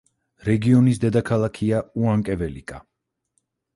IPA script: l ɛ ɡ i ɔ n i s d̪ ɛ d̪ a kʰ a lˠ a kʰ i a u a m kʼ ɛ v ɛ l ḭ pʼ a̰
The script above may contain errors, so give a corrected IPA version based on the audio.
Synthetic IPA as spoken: ɾ ɛ ɡ i ɔ n i s d̪ ɛ d̪ a kʰ a lˠ a kʰ i a u a ŋ kʼ ɛ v ɛ l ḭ kʼ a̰